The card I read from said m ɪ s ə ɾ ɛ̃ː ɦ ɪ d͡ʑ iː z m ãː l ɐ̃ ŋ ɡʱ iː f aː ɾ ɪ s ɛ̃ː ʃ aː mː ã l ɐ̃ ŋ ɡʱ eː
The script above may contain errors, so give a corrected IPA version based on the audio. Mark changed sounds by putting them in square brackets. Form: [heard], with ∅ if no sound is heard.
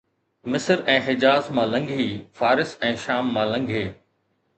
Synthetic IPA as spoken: m ɪ s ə ɾ ɛ̃ː ɦ ɪ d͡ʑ [aː] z m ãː l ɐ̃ ŋ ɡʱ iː f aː ɾ ɪ s ɛ̃ː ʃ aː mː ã l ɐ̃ ŋ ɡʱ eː

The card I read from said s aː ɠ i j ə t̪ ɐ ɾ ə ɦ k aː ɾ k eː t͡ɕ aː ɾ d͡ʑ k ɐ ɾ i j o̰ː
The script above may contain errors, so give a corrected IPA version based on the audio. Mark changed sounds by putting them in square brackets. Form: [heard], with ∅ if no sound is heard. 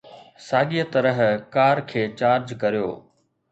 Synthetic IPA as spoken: s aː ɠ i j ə t̪ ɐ ɾ ə ɦ k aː ɾ [kʰ] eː t͡ɕ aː ɾ d͡ʑ k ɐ ɾ i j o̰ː

